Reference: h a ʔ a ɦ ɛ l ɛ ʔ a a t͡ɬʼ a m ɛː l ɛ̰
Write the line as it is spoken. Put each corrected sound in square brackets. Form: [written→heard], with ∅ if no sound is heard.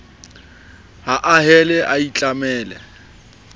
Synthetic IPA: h a ʔ a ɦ ɛ l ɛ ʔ a [a→i] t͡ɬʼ a m ɛː l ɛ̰